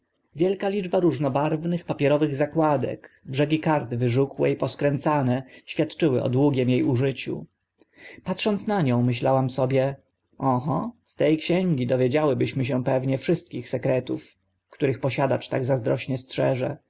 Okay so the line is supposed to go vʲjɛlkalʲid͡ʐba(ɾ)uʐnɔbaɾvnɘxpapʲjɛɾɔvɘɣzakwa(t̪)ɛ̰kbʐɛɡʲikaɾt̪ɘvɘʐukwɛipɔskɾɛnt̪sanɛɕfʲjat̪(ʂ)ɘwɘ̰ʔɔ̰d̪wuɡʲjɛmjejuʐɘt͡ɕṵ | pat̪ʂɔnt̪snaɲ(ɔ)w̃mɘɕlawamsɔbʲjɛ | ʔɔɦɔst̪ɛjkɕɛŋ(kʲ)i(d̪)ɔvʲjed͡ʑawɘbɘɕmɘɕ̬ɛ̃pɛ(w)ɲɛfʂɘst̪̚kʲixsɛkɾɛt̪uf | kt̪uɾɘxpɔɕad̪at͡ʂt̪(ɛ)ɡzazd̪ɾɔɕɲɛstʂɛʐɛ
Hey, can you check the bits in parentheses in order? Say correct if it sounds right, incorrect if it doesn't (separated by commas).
correct, incorrect, incorrect, incorrect, incorrect, correct, incorrect, incorrect